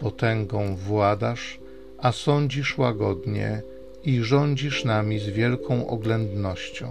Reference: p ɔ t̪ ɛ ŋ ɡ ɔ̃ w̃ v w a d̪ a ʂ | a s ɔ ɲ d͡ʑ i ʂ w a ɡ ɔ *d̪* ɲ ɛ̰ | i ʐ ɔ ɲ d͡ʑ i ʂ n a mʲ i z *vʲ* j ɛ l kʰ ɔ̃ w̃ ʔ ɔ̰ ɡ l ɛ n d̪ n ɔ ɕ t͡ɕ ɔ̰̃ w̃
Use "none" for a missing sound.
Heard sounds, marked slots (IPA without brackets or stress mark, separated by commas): d̪, vʲ